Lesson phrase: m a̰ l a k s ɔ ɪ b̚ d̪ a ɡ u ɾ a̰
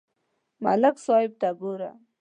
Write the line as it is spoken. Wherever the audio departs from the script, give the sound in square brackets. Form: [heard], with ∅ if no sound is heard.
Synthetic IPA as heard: m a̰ l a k s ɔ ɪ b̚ [t̪] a ɡ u ɾ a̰